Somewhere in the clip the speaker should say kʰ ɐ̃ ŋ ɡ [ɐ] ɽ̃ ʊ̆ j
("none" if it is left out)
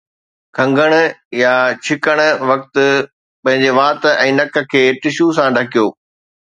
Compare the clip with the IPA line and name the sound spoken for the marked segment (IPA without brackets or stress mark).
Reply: ə